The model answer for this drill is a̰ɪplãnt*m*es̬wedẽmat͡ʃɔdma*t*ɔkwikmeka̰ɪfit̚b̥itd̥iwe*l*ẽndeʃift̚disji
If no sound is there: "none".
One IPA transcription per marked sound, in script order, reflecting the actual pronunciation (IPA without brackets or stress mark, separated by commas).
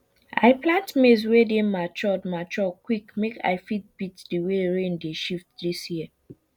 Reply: m, t͡ʃ, ɹ